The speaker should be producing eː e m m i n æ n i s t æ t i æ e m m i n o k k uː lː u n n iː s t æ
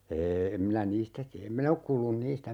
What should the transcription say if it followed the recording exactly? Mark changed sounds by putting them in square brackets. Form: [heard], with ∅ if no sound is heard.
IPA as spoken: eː e m m i n æ n [iː] s t æ t i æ e m m i n o k k uː lː u n n iː s t æ